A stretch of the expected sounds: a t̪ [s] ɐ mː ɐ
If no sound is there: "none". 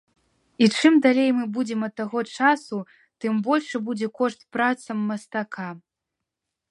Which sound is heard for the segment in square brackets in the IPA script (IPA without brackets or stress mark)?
s